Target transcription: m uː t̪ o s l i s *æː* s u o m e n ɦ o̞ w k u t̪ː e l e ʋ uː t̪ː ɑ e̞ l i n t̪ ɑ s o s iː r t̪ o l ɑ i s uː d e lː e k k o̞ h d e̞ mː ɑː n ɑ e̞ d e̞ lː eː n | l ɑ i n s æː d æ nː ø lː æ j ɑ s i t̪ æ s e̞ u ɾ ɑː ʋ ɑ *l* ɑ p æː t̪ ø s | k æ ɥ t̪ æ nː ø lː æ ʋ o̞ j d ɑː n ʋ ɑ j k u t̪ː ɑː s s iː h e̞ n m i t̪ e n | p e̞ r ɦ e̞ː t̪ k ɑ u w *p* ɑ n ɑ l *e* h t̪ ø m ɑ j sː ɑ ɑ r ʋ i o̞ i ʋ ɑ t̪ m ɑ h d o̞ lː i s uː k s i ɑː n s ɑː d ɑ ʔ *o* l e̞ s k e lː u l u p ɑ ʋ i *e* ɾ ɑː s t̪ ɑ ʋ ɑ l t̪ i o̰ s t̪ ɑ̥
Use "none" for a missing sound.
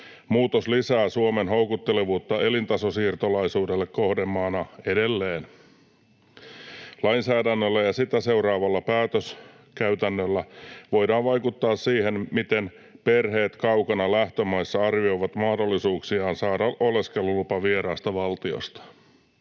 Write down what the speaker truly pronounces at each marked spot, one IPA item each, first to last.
æː, lː, k, æ, o, e

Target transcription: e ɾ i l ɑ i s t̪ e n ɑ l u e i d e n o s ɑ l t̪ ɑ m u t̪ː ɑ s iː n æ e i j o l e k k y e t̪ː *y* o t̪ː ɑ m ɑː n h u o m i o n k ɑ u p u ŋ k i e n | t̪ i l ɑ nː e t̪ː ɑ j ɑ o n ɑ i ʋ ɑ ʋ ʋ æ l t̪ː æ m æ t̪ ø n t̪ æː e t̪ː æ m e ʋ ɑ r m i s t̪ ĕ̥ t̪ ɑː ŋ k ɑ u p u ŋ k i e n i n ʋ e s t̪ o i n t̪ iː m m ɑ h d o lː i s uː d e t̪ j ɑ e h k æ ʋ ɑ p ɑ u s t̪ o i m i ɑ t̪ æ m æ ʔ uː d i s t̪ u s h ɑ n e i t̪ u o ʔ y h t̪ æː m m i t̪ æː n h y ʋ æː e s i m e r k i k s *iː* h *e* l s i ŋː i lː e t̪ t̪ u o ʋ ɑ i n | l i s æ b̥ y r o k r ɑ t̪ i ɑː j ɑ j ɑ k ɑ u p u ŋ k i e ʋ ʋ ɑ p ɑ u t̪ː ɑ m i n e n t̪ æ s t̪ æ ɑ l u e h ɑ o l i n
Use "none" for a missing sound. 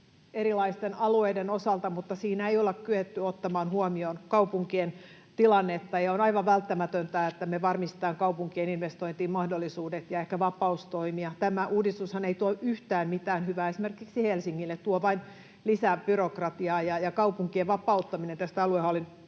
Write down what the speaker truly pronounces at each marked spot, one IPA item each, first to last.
y, i, e

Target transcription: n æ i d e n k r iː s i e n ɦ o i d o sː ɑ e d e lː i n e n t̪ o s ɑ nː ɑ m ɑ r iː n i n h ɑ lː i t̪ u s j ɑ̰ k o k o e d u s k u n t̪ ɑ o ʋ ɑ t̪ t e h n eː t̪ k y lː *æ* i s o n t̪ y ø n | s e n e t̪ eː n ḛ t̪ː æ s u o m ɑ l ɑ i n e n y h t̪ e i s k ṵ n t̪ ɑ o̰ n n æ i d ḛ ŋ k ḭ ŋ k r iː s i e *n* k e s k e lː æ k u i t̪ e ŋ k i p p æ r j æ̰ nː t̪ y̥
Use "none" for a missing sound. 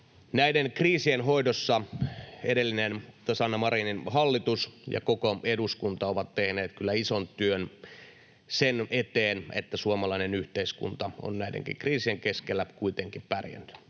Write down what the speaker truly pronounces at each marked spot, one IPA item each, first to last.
æ, ŋ

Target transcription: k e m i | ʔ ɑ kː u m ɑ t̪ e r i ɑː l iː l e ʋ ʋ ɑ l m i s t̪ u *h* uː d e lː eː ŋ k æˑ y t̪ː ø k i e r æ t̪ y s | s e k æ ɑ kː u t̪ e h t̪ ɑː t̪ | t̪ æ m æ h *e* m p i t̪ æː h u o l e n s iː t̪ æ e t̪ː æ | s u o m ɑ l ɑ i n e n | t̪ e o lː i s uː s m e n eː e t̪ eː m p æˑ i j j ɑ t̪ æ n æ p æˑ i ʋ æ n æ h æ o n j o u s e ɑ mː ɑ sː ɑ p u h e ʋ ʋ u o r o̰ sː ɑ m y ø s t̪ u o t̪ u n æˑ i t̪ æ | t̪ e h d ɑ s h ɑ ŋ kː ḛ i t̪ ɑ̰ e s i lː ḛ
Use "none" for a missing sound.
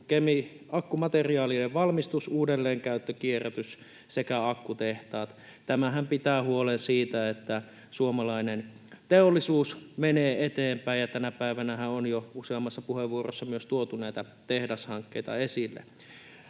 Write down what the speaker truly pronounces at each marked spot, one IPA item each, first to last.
s, æ

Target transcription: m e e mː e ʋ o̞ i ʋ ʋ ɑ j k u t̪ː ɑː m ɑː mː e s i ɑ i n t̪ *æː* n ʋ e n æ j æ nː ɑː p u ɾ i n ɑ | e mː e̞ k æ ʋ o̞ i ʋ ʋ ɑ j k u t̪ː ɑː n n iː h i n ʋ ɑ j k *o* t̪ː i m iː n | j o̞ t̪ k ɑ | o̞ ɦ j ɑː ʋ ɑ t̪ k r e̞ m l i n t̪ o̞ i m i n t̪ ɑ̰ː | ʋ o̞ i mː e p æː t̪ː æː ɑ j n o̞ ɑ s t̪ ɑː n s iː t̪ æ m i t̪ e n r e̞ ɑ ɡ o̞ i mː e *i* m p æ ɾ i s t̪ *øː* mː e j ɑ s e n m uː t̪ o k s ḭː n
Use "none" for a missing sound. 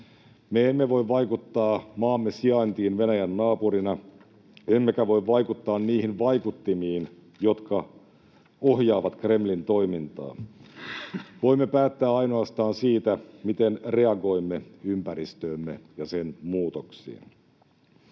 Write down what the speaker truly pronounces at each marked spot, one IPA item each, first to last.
iː, u, y, øː

